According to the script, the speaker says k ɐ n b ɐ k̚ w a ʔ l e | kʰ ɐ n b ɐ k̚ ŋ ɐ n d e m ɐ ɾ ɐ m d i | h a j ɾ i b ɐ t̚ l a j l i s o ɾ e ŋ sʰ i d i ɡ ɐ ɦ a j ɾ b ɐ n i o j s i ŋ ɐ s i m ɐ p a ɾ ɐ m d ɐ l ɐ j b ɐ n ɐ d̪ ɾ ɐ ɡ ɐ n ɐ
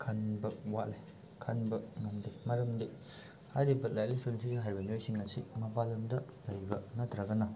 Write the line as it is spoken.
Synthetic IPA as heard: kʰ ɐ n b ɐ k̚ w a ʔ l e | kʰ ɐ n b ɐ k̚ ŋ ɐ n d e m ɐ ɾ ɐ m d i | h a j ɾ i b ɐ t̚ l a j l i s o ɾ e n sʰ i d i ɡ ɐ ɦ a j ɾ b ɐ n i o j s i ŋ ɐ s i m ɐ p a l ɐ m d ɐ l ɐ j b ɐ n ɐ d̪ ɾ ɐ ɡ ɐ n ɐ